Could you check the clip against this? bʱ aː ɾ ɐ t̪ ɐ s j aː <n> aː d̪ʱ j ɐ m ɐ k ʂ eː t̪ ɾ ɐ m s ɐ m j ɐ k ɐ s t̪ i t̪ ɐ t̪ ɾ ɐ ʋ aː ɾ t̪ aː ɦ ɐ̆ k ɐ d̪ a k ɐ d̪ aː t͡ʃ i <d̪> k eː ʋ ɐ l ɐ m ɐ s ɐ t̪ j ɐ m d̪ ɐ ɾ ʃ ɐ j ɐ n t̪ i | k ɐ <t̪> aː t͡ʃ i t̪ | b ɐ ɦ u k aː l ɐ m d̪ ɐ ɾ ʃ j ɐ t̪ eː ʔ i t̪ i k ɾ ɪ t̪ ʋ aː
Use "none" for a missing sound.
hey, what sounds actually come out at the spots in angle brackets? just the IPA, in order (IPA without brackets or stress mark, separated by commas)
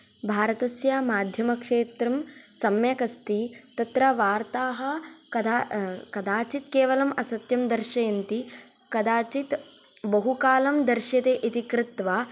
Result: m, t̪, d̪